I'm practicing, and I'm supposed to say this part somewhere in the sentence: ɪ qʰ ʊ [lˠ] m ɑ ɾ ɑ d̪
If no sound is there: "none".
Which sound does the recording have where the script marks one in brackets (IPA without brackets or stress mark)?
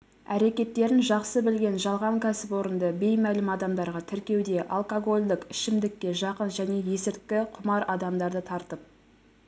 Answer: none